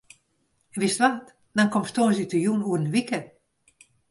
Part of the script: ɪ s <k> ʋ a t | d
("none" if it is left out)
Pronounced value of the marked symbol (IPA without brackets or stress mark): t